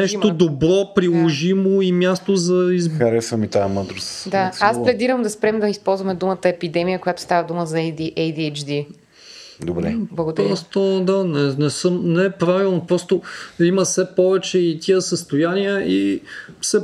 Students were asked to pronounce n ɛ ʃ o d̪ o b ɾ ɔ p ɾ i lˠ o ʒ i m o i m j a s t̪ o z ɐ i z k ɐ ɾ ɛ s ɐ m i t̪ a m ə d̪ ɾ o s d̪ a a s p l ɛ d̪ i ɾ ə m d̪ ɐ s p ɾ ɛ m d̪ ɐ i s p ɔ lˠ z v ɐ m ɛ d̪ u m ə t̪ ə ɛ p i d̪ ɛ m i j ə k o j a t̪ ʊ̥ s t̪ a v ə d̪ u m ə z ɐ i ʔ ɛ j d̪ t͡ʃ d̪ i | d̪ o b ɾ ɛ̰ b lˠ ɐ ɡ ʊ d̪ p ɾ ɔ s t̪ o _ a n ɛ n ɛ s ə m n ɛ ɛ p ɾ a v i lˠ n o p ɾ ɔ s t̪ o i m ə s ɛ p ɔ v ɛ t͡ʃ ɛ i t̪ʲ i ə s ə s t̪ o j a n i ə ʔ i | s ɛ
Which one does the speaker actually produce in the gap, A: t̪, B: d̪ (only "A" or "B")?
B